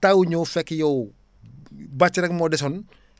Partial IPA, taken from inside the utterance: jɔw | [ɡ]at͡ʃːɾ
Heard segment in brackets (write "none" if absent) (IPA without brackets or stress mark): b